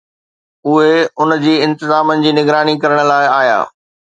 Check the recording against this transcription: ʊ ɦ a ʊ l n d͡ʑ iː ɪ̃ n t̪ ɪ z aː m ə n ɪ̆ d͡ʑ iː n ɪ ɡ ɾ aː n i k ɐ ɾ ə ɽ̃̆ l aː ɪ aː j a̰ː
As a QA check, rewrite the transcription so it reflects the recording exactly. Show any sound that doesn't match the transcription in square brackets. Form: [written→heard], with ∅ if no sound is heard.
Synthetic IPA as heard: ʊ ɦ [a→e] ʊ [l→∅] n d͡ʑ iː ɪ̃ n t̪ ɪ z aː m ə n ɪ̆ d͡ʑ iː n ɪ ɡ ɾ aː n i k ɐ ɾ ə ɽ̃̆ l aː ɪ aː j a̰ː